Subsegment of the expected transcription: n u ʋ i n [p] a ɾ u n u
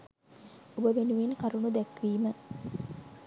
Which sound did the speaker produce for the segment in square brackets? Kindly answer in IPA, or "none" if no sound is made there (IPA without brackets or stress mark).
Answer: k